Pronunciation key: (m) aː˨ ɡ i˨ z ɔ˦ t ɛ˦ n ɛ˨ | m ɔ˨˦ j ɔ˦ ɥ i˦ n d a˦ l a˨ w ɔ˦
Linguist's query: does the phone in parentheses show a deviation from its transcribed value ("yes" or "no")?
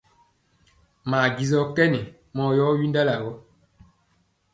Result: no